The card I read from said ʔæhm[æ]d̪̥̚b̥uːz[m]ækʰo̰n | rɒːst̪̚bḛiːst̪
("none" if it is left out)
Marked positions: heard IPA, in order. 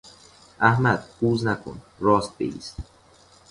æ, n

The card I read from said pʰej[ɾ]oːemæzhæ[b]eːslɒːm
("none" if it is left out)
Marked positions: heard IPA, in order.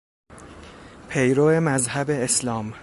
ɾ, b

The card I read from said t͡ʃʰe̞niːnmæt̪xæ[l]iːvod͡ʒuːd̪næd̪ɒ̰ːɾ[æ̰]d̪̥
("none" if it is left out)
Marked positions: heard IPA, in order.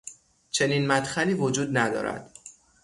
l, æ̰

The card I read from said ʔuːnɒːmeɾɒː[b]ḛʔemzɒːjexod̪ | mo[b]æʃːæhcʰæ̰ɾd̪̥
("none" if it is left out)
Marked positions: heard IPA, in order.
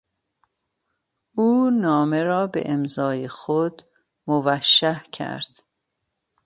b, v

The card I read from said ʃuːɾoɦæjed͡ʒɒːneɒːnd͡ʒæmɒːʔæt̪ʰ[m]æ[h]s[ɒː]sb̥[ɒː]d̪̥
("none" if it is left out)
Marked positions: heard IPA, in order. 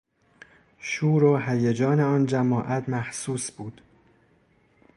m, h, uː, uː

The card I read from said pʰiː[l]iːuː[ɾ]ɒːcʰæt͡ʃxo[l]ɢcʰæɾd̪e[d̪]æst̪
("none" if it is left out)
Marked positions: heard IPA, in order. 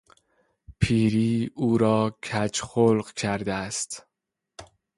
ɾ, ɾ, l, none

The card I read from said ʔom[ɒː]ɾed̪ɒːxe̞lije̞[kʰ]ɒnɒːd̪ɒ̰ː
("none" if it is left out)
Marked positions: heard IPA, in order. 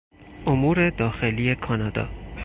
uː, kʰ

